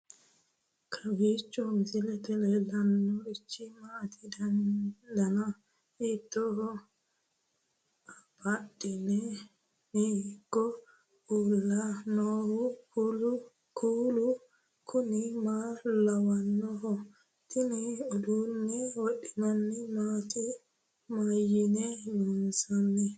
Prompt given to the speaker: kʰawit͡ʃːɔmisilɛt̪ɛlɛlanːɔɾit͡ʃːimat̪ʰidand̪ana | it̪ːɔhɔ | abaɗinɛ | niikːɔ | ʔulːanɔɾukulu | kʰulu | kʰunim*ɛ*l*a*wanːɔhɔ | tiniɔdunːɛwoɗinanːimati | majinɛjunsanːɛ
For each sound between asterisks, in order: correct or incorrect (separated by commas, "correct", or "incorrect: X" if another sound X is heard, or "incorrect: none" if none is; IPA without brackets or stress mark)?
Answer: incorrect: a, correct